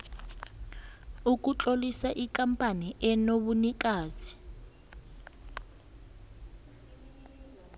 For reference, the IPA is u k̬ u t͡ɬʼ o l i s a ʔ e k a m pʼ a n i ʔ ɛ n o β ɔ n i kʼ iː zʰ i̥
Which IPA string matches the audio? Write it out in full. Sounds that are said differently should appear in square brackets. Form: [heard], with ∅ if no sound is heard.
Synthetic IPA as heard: u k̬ u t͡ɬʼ o l i s a ʔ [i] k a m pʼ a n i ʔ ɛ n o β [u] n i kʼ [aː] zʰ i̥